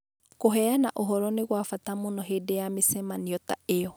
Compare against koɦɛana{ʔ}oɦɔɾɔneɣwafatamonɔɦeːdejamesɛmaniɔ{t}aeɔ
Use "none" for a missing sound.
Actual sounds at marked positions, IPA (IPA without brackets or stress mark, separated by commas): ʔ, t